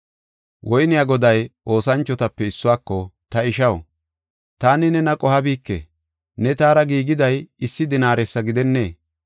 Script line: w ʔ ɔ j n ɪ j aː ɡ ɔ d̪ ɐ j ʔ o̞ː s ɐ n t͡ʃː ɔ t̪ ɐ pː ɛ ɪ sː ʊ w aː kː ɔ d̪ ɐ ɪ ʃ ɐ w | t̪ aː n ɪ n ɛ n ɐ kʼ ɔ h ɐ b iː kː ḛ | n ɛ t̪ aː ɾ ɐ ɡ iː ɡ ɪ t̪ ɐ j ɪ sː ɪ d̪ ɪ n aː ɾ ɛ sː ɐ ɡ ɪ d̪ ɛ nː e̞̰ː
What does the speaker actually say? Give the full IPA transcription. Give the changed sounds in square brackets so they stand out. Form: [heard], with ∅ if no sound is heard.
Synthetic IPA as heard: w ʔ ɔ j n ɪ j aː ɡ ɔ d̪ ɐ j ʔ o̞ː s ɐ n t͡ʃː ɔ t̪ ɐ pː ɛ ɪ sː ʊ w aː kː ɔ [t̪] ɐ ɪ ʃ ɐ w | t̪ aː n ɪ n ɛ n ɐ kʼ ɔ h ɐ b iː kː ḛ | n ɛ t̪ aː ɾ ɐ ɡ iː ɡ ɪ [d̪] ɐ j ɪ sː ɪ d̪ ɪ n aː ɾ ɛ sː ɐ ɡ ɪ d̪ ɛ nː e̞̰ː